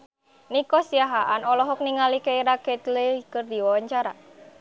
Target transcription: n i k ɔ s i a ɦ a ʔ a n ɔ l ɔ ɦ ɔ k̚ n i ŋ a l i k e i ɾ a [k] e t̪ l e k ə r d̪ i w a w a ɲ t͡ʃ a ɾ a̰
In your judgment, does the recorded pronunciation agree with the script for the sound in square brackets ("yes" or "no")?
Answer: yes